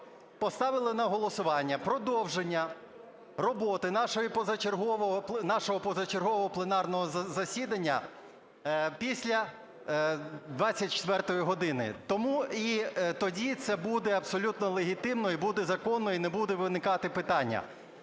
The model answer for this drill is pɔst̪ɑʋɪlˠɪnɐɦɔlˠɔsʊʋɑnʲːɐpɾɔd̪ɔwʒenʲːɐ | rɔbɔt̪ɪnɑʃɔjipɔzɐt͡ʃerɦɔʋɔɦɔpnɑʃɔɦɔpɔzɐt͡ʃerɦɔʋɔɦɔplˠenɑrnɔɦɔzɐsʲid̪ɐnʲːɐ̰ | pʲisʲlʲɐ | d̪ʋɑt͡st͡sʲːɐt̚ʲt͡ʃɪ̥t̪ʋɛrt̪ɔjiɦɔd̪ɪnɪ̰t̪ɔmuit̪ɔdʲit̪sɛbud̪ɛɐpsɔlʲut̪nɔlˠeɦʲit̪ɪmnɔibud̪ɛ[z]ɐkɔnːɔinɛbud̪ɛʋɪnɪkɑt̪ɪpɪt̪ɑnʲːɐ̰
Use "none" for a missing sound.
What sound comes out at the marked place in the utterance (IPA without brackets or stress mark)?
z